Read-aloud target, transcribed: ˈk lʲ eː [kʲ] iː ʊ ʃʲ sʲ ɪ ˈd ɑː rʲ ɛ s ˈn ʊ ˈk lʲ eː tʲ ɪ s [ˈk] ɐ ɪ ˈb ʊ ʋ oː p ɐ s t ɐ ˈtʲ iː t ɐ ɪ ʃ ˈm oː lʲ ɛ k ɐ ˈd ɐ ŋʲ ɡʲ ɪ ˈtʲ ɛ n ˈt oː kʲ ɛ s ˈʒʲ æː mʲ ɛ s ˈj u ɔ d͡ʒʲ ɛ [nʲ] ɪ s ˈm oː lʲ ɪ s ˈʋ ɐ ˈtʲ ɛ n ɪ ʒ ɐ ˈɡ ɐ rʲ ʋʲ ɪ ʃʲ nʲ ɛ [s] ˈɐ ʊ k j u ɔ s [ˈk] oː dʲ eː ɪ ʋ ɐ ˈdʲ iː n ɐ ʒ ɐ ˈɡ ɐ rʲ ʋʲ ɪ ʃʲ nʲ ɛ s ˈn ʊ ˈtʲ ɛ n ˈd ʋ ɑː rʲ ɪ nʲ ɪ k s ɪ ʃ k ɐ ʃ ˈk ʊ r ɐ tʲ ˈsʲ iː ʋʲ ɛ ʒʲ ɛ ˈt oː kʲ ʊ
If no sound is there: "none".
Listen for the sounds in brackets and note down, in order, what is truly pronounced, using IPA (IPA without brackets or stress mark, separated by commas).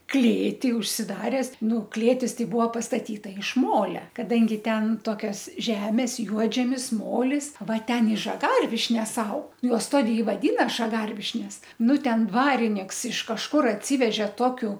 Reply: tʲ, t, mʲ, s, t